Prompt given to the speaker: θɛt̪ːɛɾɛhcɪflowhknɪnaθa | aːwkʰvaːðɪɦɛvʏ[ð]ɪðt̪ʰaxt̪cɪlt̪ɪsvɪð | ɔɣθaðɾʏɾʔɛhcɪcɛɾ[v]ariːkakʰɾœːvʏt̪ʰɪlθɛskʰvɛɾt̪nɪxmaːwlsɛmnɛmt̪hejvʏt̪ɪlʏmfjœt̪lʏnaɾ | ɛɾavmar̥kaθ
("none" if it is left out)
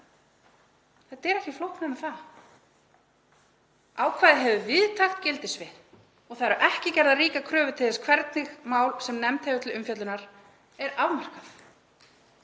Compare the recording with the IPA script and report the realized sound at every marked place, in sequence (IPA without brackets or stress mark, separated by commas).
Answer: v, ð